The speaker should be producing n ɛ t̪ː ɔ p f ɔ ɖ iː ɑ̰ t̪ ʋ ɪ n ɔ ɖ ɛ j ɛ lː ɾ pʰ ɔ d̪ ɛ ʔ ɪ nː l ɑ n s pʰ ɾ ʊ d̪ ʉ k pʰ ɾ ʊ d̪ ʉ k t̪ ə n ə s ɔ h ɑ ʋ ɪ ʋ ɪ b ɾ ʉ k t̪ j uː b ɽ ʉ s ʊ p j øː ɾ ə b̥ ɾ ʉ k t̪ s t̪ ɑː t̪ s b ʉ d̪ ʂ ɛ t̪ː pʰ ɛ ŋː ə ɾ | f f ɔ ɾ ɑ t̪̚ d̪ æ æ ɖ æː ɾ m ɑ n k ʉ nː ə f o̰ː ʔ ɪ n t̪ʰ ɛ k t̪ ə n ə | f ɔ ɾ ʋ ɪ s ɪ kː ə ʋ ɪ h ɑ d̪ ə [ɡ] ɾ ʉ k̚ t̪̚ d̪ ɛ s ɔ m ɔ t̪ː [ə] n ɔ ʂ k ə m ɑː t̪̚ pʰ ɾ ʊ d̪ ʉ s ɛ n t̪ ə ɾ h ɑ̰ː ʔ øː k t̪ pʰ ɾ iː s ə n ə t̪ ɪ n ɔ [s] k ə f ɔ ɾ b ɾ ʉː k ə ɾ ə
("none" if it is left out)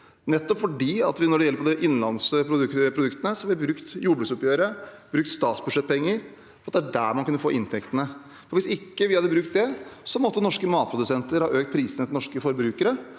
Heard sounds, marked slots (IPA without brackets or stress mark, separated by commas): b, ə, ʂ